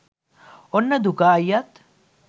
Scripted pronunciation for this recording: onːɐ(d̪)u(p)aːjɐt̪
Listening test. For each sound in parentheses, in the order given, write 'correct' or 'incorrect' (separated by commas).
correct, incorrect